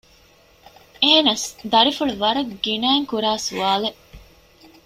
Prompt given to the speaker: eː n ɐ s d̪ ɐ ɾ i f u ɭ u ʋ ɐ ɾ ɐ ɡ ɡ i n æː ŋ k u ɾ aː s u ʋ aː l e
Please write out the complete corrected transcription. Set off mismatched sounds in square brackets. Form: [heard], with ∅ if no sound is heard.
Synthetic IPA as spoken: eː n ɐ s d̪ ɐ ɾ i f u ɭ u ʋ ɐ ɾ ɐ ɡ ɡ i n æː ŋ k u ɾ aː s u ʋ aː l e

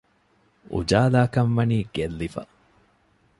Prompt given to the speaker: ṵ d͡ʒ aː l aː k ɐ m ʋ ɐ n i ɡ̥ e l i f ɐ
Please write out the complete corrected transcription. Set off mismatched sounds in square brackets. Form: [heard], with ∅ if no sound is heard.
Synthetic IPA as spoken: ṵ d͡ʒ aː l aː k ɐ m ʋ ɐ n [iː] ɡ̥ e [lː] i f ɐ

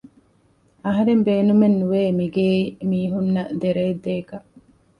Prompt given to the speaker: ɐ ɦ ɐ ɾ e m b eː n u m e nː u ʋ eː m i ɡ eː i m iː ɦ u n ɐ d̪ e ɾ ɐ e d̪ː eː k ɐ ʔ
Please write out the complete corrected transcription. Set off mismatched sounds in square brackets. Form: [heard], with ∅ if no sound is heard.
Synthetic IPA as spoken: ɐ ɦ ɐ ɾ e m b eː n u m e nː u ʋ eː m i ɡ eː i m iː ɦ u [nː] ɐ d̪ e ɾ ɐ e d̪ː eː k ɐ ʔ

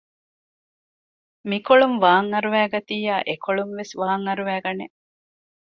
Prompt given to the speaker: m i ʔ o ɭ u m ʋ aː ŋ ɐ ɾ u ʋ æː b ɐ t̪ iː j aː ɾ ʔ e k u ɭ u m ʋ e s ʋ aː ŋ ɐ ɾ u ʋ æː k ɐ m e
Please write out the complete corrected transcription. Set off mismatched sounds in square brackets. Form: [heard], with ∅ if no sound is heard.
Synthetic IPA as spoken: m i [k] o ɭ u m ʋ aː ŋ ɐ ɾ u ʋ æː [ɡ] ɐ t̪ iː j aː [∅] ʔ e k [o] ɭ u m ʋ e s ʋ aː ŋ ɐ ɾ u ʋ æː [ɡ] ɐ [n] e

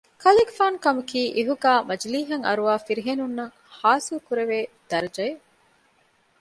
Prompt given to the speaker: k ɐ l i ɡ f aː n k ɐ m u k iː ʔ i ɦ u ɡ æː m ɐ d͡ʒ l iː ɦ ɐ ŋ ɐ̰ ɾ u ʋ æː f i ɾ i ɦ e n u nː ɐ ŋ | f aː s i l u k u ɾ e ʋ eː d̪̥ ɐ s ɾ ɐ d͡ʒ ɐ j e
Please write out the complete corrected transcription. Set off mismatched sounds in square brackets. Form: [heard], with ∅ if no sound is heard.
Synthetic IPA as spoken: k ɐ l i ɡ f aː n k ɐ m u k iː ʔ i ɦ u ɡ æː m ɐ d͡ʒ l iː ɦ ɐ ŋ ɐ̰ ɾ u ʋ [aː] f i ɾ i ɦ e n u nː ɐ ŋ | [h] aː s i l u k u ɾ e ʋ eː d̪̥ ɐ [∅] ɾ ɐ d͡ʒ ɐ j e

